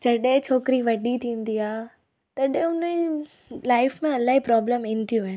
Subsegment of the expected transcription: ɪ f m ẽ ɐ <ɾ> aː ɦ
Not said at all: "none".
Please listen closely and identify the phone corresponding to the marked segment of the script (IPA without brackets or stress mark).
l